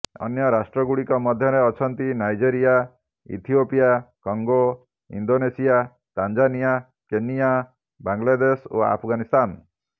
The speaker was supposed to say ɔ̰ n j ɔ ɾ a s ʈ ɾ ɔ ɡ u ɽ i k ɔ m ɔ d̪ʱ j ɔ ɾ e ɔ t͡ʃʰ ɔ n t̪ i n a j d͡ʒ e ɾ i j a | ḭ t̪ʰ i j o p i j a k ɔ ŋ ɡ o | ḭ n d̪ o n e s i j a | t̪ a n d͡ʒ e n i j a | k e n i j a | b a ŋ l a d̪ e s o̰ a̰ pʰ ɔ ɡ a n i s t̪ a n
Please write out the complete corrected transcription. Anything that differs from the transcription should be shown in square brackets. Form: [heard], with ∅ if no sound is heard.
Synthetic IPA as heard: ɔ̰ n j ɔ ɾ a s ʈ ɾ ɔ ɡ u ɽ i k ɔ m ɔ d̪ʱ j ɔ ɾ e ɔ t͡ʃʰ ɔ n t̪ i n a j d͡ʒ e ɾ i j a | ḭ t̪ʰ i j o p i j a k ɔ ŋ ɡ o | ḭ n d̪ o n e s i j a | t̪ a n d͡ʒ [a] n i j a | k e n i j a | b a ŋ l a d̪ e s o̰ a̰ pʰ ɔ ɡ a n i s t̪ a n

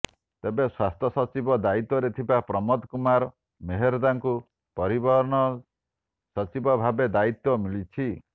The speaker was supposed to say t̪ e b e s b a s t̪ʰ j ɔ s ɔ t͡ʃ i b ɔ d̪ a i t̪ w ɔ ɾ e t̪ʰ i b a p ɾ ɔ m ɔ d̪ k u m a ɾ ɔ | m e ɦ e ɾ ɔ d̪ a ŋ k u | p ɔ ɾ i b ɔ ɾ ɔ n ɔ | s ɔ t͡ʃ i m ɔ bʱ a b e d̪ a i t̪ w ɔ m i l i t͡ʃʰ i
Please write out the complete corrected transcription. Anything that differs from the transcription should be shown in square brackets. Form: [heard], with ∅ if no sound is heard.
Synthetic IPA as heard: t̪ e b e s [w] a s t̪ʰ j ɔ s ɔ t͡ʃ i b ɔ d̪ a i t̪ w ɔ ɾ e t̪ʰ i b a p ɾ ɔ m ɔ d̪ k u m a ɾ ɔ | m e ɦ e ɾ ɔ d̪ a ŋ k u | p ɔ ɾ i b ɔ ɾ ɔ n ɔ | s ɔ t͡ʃ i [b] ɔ bʱ a b e d̪ a i t̪ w ɔ m i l i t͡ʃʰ i

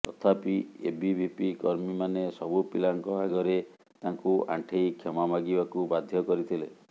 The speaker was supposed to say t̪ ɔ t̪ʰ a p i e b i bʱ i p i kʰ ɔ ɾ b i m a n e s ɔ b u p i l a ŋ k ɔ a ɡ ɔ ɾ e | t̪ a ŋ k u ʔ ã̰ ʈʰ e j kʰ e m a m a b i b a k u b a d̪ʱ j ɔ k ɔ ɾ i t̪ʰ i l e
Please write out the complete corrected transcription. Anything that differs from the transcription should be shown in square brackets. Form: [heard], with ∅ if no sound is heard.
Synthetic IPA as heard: t̪ ɔ t̪ʰ a p i e b i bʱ i p i [k] ɔ ɾ [m] i m a n e s ɔ b u p i l a ŋ k ɔ a ɡ ɔ ɾ e | t̪ a ŋ k u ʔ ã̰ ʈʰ e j kʰ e m a m a [ɡ] i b a k u b a d̪ʱ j ɔ k ɔ ɾ i t̪ʰ i l e

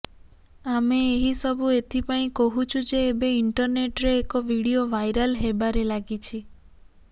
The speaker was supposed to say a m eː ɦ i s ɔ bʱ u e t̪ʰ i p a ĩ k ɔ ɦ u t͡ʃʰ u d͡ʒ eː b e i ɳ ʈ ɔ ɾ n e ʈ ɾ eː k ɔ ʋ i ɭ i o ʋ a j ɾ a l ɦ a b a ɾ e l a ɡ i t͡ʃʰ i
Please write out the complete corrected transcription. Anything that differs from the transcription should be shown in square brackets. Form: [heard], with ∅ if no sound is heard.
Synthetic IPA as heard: a m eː ɦ i s ɔ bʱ u e t̪ʰ i p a ĩ k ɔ ɦ u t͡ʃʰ u d͡ʒ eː b e i ɳ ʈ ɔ ɾ n e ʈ ɾ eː k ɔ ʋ i [ɽ] i o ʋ a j ɾ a l ɦ [e] b a ɾ e l a ɡ i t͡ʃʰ i

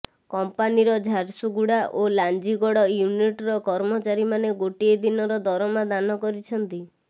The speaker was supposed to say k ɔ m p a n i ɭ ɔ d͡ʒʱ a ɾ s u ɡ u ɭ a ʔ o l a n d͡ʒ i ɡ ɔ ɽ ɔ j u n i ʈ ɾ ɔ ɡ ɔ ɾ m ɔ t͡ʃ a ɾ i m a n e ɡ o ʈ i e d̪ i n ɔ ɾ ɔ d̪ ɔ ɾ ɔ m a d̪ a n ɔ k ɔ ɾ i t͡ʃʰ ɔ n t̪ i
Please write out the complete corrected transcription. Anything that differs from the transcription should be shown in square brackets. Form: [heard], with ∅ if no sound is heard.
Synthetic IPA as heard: k ɔ m p a n i [ɾ] ɔ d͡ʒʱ a ɾ s u ɡ u [ɽ] a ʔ o l a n d͡ʒ i ɡ ɔ ɽ ɔ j u n i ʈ ɾ ɔ [k] ɔ ɾ m ɔ t͡ʃ a ɾ i m a n e ɡ o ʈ i e d̪ i n ɔ ɾ ɔ d̪ ɔ ɾ ɔ m a d̪ a n ɔ k ɔ ɾ i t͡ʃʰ ɔ n t̪ i

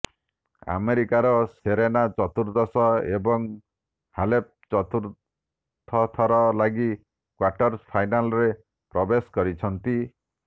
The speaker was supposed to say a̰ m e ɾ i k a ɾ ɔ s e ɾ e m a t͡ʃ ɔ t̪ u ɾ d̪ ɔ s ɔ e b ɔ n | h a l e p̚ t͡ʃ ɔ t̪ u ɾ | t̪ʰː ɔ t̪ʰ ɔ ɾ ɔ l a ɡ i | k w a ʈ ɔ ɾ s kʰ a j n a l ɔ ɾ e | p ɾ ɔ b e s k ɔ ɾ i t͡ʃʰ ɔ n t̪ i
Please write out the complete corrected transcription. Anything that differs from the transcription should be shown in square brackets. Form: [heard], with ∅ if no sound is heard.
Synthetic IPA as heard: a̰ m e ɾ i k a ɾ ɔ s e ɾ e [n] a t͡ʃ ɔ t̪ u ɾ d̪ ɔ s ɔ e b ɔ [ŋ] | h a l e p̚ t͡ʃ ɔ t̪ u ɾ | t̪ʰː ɔ t̪ʰ ɔ ɾ ɔ l a ɡ i | k w a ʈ ɔ ɾ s [pʰ] a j n a l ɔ ɾ e | p ɾ ɔ b e s k ɔ ɾ i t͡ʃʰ ɔ n t̪ i

